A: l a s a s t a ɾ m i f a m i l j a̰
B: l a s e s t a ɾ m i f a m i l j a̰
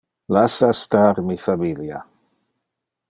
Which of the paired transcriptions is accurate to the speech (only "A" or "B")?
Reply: A